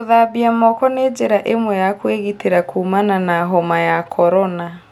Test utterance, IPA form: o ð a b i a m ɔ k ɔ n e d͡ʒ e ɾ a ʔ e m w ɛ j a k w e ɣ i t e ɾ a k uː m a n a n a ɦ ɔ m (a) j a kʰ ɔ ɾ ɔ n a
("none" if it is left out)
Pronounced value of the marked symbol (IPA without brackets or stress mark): a